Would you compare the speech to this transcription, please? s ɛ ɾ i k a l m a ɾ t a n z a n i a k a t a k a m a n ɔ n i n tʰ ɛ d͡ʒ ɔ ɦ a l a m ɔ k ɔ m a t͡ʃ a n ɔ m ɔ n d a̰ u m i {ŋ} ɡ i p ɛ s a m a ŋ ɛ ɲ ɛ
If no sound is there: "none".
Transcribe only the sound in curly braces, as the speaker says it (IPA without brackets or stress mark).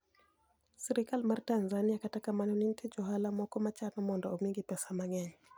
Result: ŋ